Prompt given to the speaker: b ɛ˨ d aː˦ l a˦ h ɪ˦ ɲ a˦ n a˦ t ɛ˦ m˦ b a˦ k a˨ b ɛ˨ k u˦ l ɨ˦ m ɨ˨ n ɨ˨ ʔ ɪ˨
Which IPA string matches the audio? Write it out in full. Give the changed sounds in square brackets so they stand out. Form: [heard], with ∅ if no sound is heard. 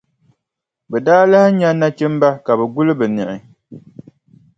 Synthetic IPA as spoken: b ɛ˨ d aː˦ l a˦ h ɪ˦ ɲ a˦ n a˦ [t͡ʃ] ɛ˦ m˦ b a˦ k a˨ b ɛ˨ [ɡ] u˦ l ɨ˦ [b] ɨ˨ n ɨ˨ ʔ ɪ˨

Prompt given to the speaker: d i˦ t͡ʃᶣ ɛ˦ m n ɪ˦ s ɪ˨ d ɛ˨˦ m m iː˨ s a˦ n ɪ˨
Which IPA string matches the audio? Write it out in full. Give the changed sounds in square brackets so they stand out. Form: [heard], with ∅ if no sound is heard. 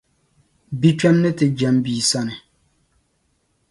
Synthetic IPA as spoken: [b] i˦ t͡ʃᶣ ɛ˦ m n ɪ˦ [t] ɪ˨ [d͡ʒ] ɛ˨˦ m [b] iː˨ s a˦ n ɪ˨

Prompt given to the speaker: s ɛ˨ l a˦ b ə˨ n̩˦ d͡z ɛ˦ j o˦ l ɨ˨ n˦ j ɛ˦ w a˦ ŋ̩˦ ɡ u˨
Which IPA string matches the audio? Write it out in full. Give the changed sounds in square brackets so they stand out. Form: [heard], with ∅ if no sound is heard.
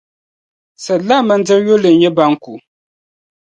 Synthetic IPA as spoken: s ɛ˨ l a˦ [m] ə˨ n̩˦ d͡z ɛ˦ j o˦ l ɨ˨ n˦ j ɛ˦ [b] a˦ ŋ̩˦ [k] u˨

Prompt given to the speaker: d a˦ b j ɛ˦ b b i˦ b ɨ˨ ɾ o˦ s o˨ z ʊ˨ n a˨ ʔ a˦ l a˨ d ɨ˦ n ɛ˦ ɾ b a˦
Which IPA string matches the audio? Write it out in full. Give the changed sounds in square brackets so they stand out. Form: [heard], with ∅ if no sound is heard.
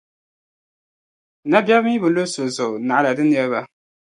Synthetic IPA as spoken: [n] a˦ b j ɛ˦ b [m] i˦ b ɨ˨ [l] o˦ s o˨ z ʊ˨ n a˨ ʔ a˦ l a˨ d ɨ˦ n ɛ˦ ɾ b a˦

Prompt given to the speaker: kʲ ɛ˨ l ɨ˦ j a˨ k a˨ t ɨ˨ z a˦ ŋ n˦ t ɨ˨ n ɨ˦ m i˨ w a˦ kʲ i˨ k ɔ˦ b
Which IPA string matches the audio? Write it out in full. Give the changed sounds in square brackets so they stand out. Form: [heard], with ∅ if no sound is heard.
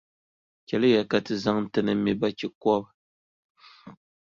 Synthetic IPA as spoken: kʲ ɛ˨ l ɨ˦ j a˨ k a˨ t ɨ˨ z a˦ ŋ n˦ t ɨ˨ n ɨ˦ m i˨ [b] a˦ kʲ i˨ k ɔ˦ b

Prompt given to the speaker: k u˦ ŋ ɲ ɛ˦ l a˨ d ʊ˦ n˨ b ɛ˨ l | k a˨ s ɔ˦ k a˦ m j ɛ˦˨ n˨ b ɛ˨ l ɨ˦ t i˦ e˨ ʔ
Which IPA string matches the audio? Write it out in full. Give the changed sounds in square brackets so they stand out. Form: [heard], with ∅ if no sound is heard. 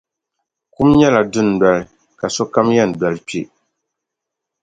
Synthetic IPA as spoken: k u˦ [m] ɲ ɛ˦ l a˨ d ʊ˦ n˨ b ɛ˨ l | k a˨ s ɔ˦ k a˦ m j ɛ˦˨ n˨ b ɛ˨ l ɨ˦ [p] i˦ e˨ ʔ

